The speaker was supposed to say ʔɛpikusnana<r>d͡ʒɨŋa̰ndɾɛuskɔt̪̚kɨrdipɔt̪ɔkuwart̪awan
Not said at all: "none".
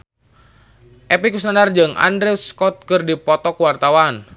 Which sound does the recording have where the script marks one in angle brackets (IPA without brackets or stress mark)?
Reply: r